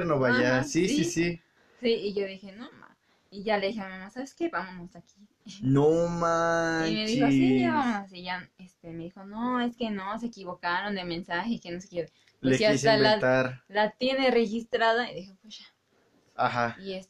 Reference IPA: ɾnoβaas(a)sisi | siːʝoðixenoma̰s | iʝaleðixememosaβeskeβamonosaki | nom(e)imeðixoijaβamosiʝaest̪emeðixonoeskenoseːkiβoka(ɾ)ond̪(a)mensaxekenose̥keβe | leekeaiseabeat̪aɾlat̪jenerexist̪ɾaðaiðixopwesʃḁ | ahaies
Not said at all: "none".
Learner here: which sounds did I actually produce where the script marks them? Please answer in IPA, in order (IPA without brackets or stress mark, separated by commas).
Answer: i, a, ɾ, e